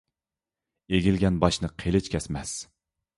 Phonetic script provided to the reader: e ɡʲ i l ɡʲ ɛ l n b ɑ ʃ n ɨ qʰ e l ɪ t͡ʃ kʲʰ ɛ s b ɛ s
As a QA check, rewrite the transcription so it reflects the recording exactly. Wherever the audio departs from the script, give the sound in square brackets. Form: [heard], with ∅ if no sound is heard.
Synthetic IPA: e ɡʲ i l ɡʲ ɛ [∅] n b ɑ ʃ n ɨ qʰ e l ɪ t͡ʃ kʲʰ ɛ s [m] ɛ s

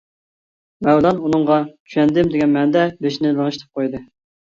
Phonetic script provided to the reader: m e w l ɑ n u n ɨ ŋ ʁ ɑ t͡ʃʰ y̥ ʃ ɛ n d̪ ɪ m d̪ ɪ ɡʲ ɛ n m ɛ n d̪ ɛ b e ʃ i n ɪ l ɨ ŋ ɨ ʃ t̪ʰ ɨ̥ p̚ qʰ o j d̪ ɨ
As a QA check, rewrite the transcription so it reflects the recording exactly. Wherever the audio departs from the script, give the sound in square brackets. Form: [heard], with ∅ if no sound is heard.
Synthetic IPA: m [ɛ] w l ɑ n u n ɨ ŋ ʁ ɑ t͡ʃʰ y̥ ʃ ɛ n d̪ ɪ m d̪ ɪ ɡʲ ɛ n m ɛ n d̪ ɛ b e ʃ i n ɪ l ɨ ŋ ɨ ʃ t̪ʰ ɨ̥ p̚ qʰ o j d̪ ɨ

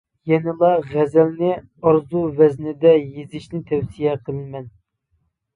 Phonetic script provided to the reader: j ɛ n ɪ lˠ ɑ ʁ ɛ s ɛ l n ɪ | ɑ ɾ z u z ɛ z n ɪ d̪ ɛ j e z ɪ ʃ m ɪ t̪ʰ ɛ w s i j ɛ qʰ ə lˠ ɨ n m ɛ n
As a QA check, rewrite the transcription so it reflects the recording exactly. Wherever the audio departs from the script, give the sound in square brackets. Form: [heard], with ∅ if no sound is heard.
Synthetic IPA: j ɛ n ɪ lˠ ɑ ʁ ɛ [z] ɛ l n ɪ | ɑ ɾ z u [v] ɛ z n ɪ d̪ ɛ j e z ɪ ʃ [n] ɪ t̪ʰ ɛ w s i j ɛ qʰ ə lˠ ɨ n m ɛ n

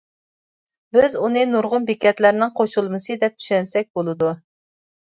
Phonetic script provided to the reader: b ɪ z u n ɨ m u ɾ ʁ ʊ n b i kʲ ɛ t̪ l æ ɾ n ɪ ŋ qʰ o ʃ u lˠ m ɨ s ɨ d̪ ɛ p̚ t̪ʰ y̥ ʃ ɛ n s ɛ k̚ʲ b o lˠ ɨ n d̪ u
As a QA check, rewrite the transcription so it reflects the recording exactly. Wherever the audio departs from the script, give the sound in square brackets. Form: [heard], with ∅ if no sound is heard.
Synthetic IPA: b ɪ z u n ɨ [n] u ɾ ʁ ʊ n b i kʲ ɛ t̪ l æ ɾ n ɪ ŋ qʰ o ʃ u lˠ m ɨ s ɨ d̪ ɛ p̚ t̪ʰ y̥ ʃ ɛ n s ɛ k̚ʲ b o lˠ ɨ [∅] d̪ u

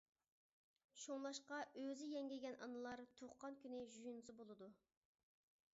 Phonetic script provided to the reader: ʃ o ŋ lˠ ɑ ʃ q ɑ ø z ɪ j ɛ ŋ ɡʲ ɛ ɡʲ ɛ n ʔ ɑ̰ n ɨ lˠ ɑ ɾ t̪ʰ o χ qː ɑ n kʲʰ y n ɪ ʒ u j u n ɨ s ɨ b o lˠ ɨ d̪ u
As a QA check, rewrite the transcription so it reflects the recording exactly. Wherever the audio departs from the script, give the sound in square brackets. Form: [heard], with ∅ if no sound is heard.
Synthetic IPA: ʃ o ŋ lˠ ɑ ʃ q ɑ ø z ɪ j ɛ ŋ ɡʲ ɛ ɡʲ ɛ n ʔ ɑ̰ n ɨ lˠ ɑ ɾ t̪ʰ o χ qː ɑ n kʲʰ y n ɪ ʒ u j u n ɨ s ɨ b o lˠ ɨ d̪ u

